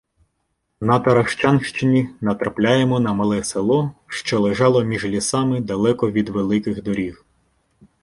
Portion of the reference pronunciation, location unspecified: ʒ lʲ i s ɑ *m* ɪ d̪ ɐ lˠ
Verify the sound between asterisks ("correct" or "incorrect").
correct